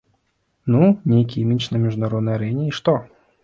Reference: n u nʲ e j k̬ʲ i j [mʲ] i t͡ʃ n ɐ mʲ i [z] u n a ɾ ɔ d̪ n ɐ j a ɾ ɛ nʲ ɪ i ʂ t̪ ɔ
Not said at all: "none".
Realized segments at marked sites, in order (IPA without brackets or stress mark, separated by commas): mʲ, ʐ